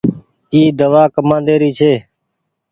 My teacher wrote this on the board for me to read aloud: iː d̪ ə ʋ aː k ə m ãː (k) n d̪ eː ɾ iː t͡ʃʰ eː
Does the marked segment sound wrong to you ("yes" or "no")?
yes